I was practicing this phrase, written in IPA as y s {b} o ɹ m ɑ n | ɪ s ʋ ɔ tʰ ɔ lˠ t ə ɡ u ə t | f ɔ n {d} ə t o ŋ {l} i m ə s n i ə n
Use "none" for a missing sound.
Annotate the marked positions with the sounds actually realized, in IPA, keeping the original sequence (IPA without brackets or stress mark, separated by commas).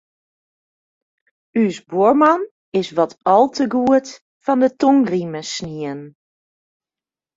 b, d, r